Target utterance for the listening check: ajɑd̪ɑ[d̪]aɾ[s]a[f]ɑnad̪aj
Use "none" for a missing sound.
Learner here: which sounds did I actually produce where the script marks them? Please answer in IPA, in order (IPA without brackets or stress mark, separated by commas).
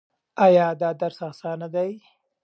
d̪, s, s